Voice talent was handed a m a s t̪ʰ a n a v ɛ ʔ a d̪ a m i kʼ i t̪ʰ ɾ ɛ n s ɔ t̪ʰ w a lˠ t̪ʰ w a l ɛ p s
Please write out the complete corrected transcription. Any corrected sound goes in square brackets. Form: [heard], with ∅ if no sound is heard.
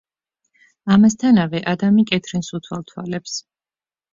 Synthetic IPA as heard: a m a s t̪ʰ a n a v ɛ ʔ a d̪ a m i kʼ [ɛ] t̪ʰ ɾ ɛ n s [u] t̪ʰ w a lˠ t̪ʰ w a l ɛ p s